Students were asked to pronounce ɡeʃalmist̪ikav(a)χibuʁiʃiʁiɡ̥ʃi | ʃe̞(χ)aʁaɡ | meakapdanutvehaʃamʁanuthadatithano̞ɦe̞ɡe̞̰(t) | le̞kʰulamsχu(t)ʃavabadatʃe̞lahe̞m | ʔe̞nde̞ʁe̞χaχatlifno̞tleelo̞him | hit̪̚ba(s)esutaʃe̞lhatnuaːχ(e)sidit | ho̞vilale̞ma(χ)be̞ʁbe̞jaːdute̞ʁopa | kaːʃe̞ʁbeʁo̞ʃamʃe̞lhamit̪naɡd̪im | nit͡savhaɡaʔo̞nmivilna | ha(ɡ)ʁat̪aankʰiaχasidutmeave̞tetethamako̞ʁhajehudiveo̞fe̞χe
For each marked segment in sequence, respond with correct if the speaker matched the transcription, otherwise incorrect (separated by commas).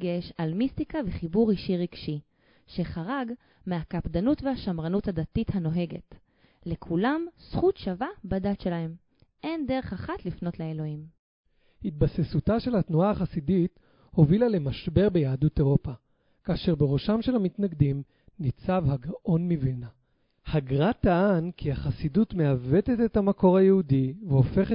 incorrect, correct, correct, correct, correct, incorrect, incorrect, correct